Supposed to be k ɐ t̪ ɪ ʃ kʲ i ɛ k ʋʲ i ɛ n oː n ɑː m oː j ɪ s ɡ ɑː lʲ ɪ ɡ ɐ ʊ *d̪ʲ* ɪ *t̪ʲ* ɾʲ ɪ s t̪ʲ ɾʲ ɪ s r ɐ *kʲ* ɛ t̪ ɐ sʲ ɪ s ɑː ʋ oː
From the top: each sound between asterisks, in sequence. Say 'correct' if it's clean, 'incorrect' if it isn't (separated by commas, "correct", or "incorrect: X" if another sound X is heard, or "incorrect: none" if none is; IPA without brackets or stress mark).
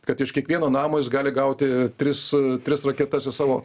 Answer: incorrect: t̪ʲ, correct, correct